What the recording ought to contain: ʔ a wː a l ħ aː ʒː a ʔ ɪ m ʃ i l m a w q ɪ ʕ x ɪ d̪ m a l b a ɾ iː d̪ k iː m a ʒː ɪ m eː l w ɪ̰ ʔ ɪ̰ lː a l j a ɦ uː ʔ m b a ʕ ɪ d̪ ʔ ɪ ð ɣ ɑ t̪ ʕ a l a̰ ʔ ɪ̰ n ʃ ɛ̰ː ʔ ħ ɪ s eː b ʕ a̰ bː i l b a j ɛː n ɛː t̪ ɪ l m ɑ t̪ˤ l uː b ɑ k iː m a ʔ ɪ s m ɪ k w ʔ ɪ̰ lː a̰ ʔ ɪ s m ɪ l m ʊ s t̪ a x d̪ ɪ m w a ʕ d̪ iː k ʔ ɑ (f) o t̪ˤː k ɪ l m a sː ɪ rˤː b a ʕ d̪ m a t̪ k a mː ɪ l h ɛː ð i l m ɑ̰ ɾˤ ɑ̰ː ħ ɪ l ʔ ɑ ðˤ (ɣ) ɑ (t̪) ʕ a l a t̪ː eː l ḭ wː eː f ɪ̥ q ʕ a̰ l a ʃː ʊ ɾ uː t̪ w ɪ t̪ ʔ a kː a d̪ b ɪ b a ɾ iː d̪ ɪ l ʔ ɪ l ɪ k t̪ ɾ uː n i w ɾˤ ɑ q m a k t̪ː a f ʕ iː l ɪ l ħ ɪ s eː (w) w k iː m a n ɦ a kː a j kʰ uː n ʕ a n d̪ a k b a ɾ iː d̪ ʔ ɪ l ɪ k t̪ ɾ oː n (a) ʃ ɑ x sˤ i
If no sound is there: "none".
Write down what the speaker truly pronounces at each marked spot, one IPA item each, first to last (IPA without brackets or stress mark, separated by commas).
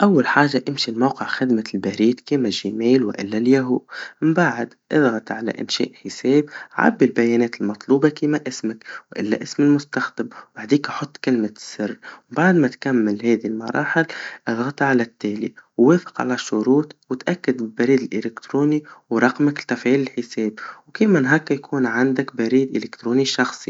ħ, ɣ, t̪, b, i